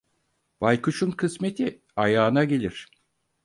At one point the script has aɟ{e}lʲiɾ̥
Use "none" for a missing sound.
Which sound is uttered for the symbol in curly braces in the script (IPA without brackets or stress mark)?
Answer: e